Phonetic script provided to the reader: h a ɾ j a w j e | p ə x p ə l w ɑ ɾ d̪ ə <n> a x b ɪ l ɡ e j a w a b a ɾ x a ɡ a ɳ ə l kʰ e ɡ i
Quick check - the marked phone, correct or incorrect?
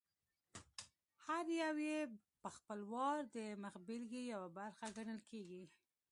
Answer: incorrect